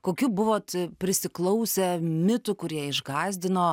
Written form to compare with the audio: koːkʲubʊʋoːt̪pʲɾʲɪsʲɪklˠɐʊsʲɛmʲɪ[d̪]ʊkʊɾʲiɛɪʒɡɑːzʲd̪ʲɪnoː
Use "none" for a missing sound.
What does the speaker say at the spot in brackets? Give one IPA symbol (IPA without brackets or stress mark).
t̪